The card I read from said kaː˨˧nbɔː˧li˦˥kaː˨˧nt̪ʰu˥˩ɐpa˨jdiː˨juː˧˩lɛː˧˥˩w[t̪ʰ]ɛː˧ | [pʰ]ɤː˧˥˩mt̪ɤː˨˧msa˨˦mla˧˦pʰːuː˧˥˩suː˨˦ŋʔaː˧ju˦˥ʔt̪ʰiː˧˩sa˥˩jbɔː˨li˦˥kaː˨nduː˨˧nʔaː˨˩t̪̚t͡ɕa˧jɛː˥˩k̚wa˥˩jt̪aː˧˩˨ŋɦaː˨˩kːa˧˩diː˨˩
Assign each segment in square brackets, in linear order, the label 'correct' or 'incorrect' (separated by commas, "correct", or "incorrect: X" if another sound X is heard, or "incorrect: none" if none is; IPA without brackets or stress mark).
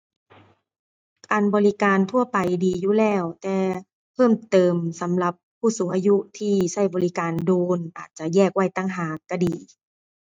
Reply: incorrect: t̪, correct